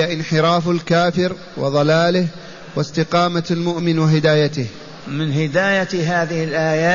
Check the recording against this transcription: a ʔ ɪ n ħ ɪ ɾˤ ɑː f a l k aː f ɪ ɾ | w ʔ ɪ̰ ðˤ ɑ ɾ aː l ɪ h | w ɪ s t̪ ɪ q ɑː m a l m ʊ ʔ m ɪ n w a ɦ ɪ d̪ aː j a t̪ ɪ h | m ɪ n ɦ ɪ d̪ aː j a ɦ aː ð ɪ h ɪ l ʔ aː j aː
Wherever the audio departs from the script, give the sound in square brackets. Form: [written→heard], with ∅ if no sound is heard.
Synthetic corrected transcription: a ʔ ɪ n ħ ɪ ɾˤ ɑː f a l k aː f ɪ ɾ | w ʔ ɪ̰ ðˤ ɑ [ɾ→l] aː l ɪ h | w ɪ s t̪ ɪ q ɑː m a l m ʊ ʔ m ɪ n w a ɦ ɪ d̪ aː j a t̪ ɪ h | m ɪ n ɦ ɪ d̪ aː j a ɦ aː ð ɪ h ɪ l ʔ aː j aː